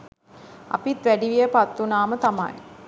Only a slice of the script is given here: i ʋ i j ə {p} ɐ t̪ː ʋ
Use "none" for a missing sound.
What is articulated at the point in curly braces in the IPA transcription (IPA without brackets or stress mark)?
p